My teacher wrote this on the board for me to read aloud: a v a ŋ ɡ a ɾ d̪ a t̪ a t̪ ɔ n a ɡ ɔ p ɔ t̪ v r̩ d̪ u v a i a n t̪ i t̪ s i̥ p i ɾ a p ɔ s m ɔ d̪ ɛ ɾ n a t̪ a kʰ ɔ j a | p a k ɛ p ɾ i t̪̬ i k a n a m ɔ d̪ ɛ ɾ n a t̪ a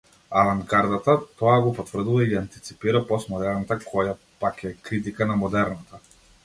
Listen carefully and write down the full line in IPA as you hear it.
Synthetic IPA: a v a ŋ ɡ a ɾ d̪ a t̪ a t̪ ɔ a ɡ ɔ p ɔ t̪ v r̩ d̪ u v a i a n t̪ i t̪ s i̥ p i ɾ a p ɔ s m ɔ d̪ ɛ ɾ n a t̪ a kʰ ɔ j a | p a k ɛ k ɾ i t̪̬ i k a n a m ɔ d̪ ɛ ɾ n a t̪ a